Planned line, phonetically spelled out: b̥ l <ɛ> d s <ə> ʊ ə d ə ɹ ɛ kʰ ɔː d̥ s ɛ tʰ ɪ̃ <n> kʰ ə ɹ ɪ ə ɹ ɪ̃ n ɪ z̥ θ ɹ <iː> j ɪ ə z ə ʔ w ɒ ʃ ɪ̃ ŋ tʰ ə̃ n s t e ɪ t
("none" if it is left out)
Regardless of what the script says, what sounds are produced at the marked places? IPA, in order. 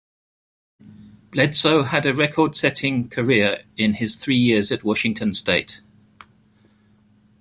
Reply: ɛ, ə, ŋ, iː

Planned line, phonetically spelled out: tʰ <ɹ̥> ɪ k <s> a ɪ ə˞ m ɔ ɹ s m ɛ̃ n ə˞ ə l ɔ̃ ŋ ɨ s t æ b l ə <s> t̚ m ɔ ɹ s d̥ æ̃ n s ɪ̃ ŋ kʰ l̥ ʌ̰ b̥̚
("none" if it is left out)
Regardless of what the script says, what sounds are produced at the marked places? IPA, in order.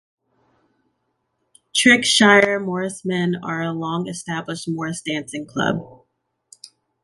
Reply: ɹ̥, ʃ, ʃ

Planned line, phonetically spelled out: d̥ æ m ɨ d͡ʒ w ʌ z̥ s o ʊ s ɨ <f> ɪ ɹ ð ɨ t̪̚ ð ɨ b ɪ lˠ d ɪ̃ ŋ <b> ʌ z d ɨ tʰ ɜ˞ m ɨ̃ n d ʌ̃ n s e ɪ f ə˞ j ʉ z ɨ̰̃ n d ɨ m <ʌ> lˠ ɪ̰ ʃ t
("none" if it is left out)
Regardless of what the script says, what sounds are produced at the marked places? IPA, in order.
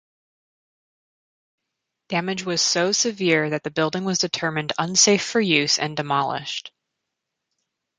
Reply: v, w, ɑ

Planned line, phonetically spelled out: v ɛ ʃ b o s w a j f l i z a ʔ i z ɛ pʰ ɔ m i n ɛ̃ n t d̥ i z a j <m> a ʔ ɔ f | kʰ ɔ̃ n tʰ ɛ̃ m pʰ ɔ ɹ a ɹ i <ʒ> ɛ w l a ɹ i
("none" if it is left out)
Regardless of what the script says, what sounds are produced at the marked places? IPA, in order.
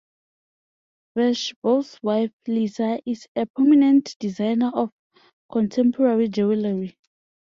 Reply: n, d͡ʒ

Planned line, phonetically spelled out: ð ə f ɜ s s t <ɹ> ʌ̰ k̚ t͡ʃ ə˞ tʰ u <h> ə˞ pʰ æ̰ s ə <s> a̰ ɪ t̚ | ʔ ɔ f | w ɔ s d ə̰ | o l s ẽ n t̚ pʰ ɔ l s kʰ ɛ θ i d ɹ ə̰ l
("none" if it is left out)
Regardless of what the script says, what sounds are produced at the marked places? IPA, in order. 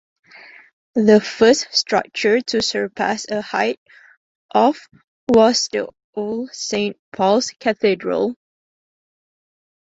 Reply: ɹ, s, h

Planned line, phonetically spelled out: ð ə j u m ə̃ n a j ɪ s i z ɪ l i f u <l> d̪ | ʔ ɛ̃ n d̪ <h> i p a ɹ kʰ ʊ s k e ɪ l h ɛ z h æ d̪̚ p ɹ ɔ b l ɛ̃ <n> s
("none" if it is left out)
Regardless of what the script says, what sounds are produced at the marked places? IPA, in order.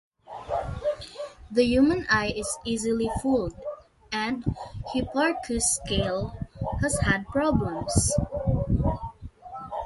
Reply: l, h, m

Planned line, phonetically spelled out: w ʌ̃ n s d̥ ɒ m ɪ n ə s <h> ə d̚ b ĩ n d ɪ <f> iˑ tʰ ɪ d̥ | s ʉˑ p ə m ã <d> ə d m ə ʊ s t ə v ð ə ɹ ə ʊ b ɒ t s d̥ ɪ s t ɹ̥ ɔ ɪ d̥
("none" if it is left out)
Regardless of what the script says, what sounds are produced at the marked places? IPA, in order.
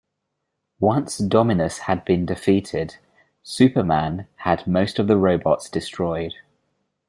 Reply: h, f, n

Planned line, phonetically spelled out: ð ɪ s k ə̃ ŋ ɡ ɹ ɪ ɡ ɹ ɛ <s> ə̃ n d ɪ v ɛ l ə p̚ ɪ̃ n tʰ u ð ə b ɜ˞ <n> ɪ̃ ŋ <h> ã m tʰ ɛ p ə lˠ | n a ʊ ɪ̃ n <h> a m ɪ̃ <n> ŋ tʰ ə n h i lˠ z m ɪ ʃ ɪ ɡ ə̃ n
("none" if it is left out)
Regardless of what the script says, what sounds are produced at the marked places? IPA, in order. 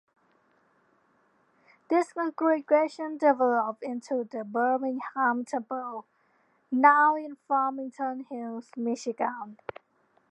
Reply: ʃ, m, h, f, none

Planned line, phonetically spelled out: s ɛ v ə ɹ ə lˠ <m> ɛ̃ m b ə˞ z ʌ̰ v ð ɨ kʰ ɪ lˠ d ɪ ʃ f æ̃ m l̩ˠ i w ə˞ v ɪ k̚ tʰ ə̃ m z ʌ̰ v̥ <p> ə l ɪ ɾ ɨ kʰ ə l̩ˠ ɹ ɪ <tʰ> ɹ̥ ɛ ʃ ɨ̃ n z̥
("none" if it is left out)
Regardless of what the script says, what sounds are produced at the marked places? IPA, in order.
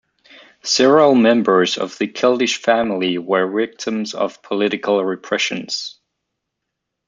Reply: m, pʰ, pʰ

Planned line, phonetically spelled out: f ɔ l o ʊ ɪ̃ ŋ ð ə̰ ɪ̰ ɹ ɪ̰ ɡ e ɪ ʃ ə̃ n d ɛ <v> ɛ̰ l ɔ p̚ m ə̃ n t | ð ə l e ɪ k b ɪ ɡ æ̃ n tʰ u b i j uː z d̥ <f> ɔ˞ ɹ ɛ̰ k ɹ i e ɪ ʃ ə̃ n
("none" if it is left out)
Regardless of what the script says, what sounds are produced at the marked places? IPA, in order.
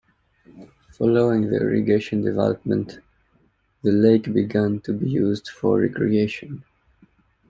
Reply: v, f

